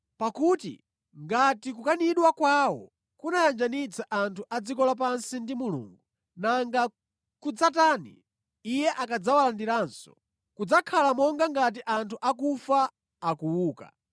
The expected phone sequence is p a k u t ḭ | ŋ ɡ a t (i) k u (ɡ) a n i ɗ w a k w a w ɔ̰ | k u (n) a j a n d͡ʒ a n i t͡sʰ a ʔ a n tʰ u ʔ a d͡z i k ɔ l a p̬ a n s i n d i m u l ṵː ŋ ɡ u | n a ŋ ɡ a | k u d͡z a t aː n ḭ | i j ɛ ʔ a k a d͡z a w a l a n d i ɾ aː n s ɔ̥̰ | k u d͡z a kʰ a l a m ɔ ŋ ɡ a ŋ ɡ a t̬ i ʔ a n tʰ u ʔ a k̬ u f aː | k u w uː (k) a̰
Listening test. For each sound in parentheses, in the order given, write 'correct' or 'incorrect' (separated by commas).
correct, incorrect, correct, correct